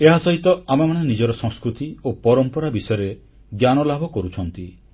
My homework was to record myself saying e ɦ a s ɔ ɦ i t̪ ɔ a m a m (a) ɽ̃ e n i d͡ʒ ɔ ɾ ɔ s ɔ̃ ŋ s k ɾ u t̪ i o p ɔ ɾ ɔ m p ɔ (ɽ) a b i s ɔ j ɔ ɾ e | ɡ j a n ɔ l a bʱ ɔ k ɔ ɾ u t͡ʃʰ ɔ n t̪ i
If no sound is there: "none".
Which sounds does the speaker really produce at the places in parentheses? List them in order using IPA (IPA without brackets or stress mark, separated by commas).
a, ɾ